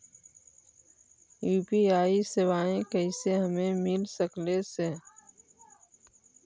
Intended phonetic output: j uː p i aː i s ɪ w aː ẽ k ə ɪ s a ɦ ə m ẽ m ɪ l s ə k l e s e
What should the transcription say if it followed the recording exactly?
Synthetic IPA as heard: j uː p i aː i s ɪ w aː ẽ k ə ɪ s e ɦ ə m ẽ m ɪ l s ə k l e s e